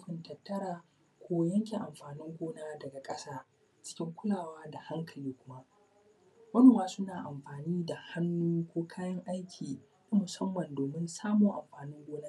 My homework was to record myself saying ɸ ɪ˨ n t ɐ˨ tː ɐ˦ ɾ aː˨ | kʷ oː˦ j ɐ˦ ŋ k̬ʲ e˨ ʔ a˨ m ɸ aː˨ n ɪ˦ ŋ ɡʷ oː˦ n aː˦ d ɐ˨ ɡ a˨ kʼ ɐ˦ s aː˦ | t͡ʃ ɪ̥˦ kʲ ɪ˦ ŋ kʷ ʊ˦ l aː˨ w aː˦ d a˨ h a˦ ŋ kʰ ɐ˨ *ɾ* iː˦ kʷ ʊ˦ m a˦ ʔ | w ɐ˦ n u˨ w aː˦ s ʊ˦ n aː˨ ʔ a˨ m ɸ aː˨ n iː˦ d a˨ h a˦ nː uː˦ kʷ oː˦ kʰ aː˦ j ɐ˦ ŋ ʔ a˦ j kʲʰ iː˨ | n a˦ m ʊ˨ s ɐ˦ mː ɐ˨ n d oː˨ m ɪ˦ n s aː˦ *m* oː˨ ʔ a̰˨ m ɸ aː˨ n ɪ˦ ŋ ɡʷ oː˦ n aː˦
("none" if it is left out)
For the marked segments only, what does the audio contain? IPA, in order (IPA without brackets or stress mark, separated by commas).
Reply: l, m